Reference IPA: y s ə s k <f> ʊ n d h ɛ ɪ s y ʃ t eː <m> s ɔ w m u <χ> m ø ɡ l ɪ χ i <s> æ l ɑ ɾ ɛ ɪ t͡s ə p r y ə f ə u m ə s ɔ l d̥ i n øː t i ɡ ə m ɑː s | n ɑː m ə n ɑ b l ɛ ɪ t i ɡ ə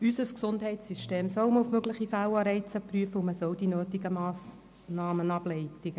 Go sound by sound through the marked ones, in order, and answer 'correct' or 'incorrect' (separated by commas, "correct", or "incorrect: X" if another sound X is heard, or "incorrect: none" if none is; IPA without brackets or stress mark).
incorrect: s, correct, incorrect: f, incorrect: f